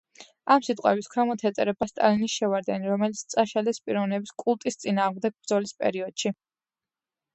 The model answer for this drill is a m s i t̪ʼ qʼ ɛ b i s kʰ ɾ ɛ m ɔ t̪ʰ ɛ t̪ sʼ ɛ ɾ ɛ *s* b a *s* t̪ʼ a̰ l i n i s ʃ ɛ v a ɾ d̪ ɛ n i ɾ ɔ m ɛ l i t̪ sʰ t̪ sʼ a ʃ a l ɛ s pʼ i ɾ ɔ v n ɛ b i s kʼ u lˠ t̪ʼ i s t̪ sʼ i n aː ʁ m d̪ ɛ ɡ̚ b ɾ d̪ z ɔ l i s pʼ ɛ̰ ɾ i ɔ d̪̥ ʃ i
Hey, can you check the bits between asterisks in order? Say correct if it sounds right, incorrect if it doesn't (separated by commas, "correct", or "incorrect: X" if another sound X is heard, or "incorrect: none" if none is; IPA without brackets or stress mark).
incorrect: none, correct